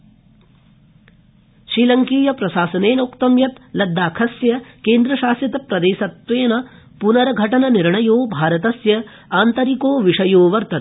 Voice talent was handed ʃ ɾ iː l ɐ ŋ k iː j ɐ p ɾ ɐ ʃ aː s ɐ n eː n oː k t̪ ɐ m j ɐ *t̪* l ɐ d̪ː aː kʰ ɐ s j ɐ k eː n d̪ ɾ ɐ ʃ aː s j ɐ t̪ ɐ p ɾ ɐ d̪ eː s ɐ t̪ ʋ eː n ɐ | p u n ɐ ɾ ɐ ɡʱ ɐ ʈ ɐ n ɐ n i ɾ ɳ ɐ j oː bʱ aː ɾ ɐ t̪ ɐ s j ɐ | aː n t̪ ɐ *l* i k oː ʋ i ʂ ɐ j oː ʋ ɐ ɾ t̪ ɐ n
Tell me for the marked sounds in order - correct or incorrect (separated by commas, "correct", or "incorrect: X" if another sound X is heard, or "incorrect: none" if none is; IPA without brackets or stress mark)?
correct, incorrect: ɾ